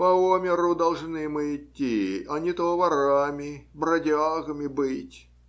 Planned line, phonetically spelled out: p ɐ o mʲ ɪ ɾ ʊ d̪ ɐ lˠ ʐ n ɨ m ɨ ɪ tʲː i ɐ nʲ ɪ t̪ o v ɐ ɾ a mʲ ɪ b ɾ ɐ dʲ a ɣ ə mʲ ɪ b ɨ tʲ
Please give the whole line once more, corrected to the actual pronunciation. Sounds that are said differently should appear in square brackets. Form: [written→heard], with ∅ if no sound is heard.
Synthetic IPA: p ɐ o mʲ ɪ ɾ ʊ d̪ ɐ lˠ ʐ n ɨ m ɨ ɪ tʲː i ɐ nʲ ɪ t̪ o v ɐ ɾ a mʲ ɪ b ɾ ɐ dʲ a ɣ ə mʲ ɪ b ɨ tʲ